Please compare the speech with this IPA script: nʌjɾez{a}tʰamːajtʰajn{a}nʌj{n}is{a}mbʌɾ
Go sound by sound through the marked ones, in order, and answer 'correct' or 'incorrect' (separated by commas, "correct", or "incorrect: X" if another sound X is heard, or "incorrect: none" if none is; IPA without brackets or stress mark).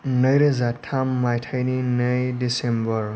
correct, incorrect: i, incorrect: d, incorrect: e